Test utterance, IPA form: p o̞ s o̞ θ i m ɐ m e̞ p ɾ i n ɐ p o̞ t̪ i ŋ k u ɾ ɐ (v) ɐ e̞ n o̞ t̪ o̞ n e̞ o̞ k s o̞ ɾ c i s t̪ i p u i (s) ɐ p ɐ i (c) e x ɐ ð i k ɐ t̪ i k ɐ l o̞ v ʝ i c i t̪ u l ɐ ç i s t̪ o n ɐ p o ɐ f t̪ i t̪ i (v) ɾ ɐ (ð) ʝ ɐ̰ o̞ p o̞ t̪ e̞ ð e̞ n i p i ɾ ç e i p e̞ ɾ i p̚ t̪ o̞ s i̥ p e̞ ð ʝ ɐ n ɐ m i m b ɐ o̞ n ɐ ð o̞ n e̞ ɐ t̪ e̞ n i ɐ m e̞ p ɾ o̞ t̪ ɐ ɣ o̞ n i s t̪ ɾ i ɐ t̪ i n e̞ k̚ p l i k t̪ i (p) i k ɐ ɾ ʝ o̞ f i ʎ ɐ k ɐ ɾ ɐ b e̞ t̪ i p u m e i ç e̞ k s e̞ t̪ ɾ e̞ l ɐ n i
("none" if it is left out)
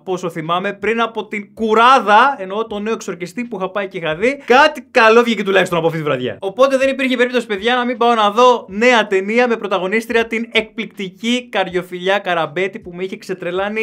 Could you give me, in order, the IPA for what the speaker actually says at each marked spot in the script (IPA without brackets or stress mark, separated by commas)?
ð, x, c, v, ð, c